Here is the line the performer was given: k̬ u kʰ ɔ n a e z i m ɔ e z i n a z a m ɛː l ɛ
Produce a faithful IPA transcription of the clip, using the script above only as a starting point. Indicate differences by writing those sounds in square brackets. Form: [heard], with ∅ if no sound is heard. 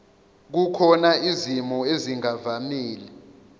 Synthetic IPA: k̬ u kʰ ɔ n a [i] z i m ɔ e z i [ŋ] a [v] a m [iː] l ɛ